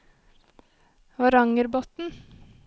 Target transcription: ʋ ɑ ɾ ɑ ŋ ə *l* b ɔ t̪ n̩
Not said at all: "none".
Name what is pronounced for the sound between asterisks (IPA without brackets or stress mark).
ɾ